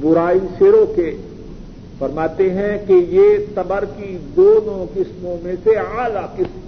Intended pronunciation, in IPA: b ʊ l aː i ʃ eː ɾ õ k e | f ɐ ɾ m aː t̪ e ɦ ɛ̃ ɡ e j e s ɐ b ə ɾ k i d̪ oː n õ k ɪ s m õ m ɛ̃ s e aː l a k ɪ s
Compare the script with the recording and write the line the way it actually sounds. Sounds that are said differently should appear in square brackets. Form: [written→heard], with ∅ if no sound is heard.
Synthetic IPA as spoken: b ʊ [l→ɾ] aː i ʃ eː ɾ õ k e | f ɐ ɾ m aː t̪ e ɦ ɛ̃ [ɡ→k] e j e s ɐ b ə ɾ k i d̪ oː n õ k ɪ s m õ m [ɛ̃→ẽ] s e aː l a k ɪ s